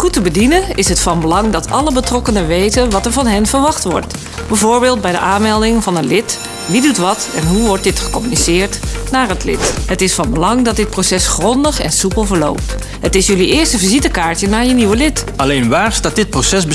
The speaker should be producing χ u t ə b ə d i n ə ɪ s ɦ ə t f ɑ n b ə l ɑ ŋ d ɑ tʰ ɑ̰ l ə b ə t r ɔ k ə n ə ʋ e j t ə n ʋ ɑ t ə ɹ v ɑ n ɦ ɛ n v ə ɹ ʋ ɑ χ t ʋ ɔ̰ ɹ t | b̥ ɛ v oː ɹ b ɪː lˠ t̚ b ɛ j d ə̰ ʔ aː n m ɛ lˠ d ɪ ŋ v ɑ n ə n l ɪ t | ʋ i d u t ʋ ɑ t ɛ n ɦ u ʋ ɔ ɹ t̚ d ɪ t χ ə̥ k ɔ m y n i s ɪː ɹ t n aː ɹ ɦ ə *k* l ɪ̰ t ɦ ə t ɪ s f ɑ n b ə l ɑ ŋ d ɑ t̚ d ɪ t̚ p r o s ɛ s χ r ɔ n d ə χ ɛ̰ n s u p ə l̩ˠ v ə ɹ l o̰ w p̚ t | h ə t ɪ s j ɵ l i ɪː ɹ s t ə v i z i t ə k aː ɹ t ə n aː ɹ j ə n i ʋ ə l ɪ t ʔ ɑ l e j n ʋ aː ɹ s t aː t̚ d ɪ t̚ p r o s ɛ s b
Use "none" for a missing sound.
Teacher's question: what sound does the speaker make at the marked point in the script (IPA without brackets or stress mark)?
t